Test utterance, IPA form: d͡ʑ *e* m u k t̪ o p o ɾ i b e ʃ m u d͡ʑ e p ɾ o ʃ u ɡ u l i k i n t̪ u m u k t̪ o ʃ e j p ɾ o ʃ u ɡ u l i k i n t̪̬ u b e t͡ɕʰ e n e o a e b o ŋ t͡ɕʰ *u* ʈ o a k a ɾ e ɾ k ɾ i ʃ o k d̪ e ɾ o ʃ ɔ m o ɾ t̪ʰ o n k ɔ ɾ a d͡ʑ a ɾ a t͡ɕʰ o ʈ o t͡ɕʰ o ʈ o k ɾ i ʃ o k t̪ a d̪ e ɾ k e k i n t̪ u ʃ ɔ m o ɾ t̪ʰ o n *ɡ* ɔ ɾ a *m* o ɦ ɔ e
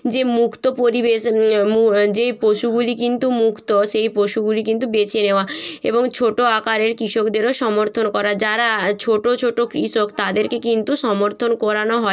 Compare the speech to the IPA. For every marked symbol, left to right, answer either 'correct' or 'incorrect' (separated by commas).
correct, incorrect, incorrect, incorrect